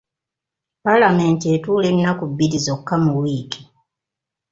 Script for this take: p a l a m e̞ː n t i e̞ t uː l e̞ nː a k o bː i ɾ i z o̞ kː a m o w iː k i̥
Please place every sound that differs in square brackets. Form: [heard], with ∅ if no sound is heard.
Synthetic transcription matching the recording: p a l a m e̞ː n t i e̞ t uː l e̞ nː a k [u] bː i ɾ i z o̞ kː a m [u] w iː k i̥